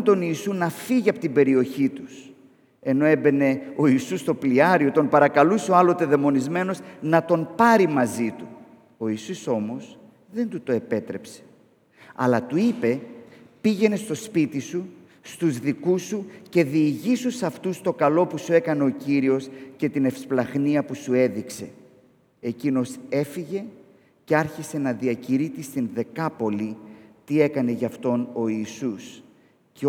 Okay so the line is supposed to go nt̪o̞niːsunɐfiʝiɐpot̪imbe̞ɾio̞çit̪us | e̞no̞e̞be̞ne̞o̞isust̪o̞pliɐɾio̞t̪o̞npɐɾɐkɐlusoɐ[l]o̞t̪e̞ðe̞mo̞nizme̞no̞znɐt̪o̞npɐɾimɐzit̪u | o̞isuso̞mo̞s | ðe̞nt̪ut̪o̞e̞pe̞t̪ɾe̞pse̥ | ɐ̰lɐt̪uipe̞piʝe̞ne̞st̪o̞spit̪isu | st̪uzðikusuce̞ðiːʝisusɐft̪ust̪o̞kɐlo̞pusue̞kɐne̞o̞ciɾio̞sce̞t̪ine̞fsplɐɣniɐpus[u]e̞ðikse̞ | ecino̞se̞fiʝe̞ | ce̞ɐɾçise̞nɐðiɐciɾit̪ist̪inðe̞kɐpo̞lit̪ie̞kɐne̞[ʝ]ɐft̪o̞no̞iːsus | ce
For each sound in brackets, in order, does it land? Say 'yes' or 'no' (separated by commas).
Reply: yes, yes, yes